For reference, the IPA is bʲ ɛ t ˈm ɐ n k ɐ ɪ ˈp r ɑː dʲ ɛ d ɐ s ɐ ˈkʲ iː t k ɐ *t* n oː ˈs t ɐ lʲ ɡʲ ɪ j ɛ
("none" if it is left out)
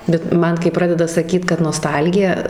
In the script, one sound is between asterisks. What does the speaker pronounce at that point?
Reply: t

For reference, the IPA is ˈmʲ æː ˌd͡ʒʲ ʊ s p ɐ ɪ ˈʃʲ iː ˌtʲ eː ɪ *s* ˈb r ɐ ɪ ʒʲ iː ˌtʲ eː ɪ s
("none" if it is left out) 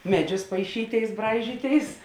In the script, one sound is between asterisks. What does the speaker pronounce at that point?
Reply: s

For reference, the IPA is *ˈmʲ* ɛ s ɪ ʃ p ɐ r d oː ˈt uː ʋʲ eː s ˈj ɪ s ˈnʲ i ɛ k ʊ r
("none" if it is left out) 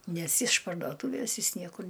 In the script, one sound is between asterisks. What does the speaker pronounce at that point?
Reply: nʲ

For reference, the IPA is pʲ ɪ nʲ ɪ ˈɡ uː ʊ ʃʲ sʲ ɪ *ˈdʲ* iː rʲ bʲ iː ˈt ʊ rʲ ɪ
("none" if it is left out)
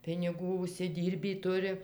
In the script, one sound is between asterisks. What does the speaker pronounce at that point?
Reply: dʲ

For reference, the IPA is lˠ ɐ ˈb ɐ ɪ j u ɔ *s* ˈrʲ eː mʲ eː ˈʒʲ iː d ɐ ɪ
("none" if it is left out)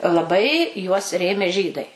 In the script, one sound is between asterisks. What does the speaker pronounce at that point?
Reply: s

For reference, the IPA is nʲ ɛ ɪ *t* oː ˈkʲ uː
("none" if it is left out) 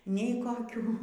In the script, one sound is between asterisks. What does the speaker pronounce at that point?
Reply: k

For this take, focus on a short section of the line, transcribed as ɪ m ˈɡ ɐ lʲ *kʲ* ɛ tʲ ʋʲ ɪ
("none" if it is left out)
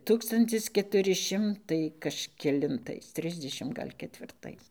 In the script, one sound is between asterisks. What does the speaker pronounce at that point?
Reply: kʲ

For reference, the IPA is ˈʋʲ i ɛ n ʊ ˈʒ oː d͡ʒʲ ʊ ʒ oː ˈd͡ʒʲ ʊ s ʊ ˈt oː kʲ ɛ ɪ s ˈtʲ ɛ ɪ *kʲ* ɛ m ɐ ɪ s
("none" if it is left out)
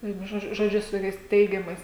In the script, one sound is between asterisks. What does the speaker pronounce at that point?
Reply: ɡʲ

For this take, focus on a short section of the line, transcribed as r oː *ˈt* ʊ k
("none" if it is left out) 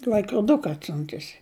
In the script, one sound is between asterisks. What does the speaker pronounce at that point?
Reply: d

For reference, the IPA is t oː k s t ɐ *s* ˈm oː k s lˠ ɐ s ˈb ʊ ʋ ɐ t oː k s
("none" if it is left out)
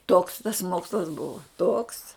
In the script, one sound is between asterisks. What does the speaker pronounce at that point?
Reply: s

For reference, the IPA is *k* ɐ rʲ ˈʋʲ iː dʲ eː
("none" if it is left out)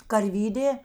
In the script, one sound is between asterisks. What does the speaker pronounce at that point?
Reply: k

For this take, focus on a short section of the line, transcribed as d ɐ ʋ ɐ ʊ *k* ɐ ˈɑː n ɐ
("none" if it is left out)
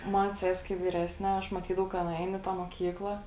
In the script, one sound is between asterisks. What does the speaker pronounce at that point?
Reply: k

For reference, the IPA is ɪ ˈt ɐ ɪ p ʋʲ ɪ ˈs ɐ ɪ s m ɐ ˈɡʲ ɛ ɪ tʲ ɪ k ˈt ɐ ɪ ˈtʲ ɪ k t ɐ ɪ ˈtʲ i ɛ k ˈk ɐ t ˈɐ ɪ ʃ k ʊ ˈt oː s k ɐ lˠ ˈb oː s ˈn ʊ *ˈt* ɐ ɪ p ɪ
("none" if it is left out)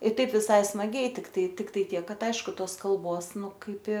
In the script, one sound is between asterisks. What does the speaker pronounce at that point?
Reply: k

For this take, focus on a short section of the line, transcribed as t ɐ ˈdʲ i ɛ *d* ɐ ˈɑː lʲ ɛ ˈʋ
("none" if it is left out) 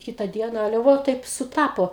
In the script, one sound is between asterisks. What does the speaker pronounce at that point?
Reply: n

